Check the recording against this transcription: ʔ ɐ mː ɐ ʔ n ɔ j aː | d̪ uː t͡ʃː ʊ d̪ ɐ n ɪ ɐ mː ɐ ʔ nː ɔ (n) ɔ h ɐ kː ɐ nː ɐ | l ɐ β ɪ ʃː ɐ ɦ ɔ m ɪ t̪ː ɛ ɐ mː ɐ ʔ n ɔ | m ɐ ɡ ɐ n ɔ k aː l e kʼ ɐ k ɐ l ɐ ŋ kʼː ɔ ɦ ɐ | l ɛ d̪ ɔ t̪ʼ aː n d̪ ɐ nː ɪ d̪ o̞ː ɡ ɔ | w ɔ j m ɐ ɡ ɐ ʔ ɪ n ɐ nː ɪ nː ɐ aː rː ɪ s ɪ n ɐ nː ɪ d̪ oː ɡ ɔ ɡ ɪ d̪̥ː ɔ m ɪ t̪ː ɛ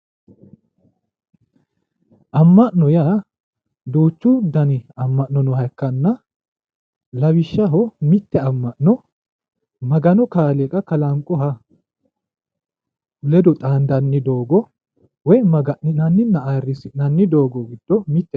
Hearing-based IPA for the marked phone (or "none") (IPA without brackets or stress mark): n